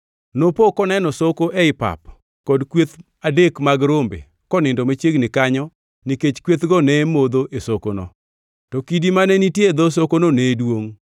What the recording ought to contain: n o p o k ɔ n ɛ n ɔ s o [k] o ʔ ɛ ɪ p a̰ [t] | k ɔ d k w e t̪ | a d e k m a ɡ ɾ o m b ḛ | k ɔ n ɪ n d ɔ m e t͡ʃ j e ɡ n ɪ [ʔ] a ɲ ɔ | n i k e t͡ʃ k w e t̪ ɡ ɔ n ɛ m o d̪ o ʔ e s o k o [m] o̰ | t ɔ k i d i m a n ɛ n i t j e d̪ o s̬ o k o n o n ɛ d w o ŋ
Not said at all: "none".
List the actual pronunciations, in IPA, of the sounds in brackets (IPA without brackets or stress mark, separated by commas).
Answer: k, p, k, n